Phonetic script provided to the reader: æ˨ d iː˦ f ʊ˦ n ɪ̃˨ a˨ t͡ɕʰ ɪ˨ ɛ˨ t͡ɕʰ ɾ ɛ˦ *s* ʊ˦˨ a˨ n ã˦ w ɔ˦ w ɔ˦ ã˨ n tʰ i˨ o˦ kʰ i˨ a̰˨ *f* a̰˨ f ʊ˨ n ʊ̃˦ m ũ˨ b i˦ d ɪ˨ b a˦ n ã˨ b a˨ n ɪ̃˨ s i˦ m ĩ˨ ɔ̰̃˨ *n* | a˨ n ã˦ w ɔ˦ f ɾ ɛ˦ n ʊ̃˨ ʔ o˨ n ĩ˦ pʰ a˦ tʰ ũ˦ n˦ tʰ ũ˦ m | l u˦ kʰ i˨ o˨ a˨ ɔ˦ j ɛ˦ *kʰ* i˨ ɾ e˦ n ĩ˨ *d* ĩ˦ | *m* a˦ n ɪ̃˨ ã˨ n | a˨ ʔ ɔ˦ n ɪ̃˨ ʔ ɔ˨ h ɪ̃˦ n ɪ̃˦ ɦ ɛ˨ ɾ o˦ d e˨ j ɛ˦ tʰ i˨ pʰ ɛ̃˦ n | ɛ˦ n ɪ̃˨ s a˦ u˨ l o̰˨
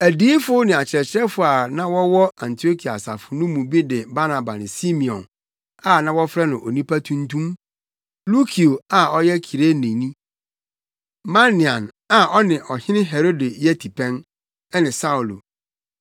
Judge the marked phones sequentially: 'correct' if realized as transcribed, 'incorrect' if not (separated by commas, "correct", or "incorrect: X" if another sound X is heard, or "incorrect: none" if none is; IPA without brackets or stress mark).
incorrect: f, incorrect: s, correct, correct, incorrect: n, correct